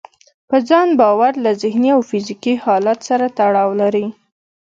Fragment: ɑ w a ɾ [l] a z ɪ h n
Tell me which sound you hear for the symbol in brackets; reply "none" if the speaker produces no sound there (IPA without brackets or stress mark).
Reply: l